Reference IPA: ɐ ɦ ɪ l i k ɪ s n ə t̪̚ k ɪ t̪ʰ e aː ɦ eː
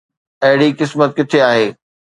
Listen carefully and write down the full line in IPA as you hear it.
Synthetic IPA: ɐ ɦ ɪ ɽ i k ɪ s m ə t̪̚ k ɪ t̪ʰ e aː ɦ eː